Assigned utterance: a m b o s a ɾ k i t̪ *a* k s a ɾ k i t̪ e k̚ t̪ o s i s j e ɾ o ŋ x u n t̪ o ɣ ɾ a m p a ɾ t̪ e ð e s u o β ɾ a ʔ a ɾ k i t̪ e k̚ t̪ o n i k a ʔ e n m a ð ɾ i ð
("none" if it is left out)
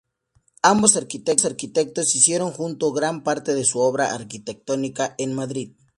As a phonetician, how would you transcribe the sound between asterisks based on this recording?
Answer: e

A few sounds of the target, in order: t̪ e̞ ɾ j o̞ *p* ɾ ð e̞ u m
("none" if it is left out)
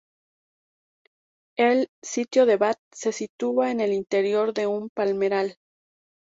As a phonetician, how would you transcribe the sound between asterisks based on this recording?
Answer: none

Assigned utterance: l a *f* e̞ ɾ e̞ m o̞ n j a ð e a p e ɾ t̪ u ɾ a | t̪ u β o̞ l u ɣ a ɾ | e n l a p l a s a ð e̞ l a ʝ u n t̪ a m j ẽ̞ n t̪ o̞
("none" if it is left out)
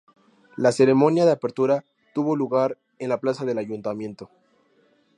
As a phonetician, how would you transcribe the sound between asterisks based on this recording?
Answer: s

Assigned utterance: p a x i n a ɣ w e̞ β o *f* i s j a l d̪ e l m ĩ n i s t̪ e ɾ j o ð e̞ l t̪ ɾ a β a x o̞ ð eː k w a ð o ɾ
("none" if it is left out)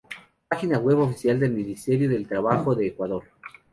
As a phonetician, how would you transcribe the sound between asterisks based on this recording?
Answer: f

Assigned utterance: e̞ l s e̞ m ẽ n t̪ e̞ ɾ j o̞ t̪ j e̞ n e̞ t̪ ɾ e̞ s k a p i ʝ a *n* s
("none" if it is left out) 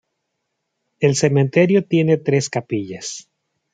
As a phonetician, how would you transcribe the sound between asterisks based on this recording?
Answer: none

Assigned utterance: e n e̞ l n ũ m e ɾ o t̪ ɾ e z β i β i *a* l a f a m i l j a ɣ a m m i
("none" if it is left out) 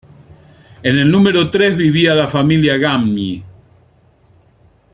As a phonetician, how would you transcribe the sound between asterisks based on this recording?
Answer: a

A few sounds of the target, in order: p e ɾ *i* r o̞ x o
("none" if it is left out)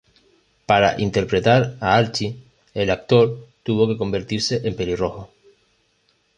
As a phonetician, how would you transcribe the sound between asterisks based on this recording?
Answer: i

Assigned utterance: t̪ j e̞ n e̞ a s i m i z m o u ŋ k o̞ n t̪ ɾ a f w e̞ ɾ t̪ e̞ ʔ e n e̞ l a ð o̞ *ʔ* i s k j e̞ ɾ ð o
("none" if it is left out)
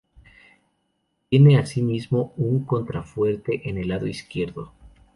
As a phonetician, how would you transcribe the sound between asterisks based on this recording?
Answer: none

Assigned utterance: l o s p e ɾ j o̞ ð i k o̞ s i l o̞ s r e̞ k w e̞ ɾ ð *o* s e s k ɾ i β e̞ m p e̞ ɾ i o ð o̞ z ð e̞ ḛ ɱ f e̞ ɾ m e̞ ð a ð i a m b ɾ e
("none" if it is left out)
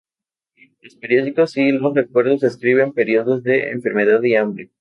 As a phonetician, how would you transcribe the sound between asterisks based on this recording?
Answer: o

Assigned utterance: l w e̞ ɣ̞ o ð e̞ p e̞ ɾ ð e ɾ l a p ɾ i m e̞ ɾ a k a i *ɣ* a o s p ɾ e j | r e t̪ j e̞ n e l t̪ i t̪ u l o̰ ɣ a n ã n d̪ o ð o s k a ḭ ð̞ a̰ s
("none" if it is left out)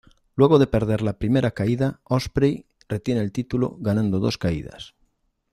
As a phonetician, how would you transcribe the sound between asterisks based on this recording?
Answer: ð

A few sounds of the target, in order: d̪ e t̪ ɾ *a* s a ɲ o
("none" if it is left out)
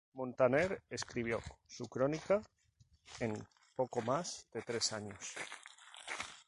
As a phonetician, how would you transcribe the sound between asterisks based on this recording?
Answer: e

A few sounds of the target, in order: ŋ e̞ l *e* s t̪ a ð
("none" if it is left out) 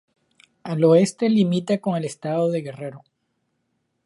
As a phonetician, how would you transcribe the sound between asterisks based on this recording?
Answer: e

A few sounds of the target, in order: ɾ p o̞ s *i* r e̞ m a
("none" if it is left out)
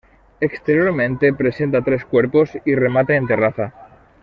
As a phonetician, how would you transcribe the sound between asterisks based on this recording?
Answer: i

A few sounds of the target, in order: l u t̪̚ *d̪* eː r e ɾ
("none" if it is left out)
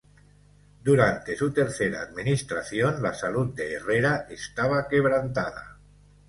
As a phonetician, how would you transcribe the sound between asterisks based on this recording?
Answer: d̪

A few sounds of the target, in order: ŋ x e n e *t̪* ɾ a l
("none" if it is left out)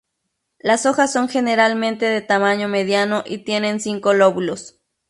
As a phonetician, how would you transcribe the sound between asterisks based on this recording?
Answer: none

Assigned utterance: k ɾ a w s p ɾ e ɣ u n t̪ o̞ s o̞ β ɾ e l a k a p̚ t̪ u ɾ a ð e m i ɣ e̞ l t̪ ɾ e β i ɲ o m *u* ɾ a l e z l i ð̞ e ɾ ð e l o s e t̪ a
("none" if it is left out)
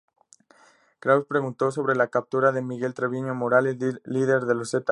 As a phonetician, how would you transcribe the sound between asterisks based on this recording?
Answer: o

